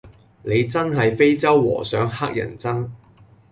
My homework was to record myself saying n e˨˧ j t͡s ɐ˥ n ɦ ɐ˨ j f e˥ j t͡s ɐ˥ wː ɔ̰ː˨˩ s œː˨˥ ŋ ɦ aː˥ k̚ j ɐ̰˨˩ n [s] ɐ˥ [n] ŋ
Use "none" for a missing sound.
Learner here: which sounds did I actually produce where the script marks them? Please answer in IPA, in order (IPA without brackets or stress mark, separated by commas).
t͡s, none